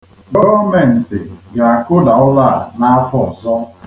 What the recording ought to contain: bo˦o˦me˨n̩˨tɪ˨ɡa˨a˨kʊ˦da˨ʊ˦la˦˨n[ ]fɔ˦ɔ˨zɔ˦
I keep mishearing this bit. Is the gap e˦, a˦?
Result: a˦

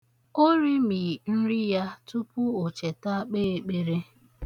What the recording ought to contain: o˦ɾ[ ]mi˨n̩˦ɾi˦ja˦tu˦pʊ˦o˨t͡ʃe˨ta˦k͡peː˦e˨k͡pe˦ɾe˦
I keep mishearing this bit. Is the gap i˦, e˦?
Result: i˦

